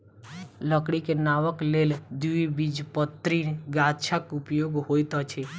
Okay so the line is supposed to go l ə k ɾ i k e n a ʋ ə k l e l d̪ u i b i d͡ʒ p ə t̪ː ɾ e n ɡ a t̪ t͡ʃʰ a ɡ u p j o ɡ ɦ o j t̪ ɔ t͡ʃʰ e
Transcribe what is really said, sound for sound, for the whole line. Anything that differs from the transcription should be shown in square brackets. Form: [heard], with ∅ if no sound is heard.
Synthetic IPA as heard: l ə k [ɽ] i k e n a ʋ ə k l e l d̪ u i b i d͡ʒ p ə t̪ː ɾ [i] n ɡ a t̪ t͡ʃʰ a [k] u p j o ɡ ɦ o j t̪ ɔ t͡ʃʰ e